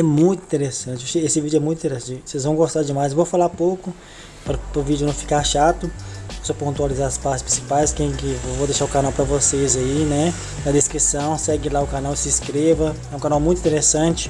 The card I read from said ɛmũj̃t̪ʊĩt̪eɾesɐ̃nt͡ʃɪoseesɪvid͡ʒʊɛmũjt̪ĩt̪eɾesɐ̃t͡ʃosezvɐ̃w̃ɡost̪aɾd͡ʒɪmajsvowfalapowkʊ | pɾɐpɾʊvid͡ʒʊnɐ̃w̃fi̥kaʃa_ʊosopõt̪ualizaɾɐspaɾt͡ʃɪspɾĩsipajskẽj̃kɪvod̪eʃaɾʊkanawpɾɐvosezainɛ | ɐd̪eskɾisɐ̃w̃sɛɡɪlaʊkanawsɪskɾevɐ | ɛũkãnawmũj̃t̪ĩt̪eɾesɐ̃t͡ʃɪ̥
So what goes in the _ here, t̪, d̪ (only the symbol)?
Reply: t̪